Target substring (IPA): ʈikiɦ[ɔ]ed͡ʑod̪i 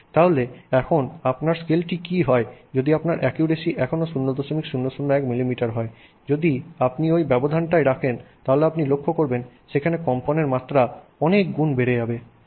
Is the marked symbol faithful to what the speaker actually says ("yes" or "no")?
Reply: yes